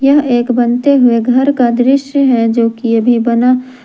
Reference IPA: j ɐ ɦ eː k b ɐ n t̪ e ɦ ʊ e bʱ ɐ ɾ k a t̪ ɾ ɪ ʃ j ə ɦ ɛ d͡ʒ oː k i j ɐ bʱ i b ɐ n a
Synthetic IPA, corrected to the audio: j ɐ ɦ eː k b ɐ n t̪ e ɦ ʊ e ɡʱ ɐ ɾ k a d̪ ɾ ɪ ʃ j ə ɦ ɛ d͡ʒ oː k i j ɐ bʱ i b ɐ n a